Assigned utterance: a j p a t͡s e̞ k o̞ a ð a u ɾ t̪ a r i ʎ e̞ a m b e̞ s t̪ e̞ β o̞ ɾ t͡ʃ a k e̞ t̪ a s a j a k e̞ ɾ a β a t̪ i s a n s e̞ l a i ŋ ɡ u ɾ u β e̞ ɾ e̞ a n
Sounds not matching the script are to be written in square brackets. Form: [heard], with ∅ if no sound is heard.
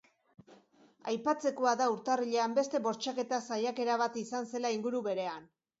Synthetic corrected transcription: a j p a t͡s e̞ k o̞ a ð a u ɾ t̪ a r i ʎ e̞ a m b e̞ s t̪ e̞ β o̞ ɾ t͡ʃ a k e̞ t̪ a s a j a k e̞ ɾ a β a t̪ i s a n s e̞ l a i ŋ ɡ u ɾ u β e̞ ɾ e̞ a n